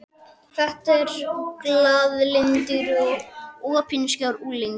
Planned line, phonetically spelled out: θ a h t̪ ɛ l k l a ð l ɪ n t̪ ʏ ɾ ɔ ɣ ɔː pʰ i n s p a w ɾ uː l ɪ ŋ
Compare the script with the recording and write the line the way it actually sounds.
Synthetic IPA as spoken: θ ɛ h t̪ ɛ ɾ k l a ð l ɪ n t̪ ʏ ɾ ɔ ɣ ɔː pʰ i n s c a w ɾ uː l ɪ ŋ